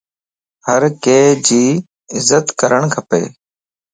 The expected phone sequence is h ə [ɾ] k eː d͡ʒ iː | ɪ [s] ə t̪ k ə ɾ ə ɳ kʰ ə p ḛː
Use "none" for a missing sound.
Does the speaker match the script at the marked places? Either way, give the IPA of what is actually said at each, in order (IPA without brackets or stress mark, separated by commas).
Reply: ɾ, z